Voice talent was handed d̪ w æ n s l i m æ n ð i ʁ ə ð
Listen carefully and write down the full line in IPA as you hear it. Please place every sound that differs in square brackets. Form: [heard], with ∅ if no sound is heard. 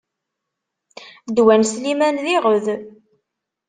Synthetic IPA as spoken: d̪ w æ n s l i m æ n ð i ʁ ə ð